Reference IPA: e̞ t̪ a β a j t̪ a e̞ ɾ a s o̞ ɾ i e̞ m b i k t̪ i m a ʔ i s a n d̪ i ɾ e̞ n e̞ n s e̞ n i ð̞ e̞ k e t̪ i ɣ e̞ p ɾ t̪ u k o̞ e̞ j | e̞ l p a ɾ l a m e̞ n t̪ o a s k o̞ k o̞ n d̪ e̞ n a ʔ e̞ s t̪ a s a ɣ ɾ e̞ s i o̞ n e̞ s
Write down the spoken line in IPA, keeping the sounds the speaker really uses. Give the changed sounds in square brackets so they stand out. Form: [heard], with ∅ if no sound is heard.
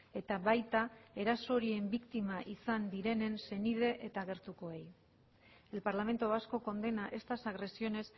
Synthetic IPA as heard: e̞ t̪ a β a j t̪ a e̞ ɾ a s o̞ ɾ i e̞ m b i k t̪ i m a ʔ i s a n d̪ i ɾ e̞ n e̞ n s e̞ n i ð̞ e̞ [ʔ] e t̪ [a] ɣ e̞ [∅] ɾ t̪ u k o̞ e̞ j | e̞ l p a ɾ l a m e̞ n t̪ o a s k o̞ k o̞ n d̪ e̞ n a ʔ e̞ s t̪ a s a ɣ ɾ e̞ s i o̞ n e̞ s